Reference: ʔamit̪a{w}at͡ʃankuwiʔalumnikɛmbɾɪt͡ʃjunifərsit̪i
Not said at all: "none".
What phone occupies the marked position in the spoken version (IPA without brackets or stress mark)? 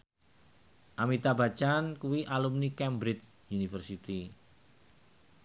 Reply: b